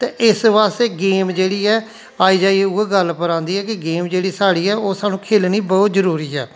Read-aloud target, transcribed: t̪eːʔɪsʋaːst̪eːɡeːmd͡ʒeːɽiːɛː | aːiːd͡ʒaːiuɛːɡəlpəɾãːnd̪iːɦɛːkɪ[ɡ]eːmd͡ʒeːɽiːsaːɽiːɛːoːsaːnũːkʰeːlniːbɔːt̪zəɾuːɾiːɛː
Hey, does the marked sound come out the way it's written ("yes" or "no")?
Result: yes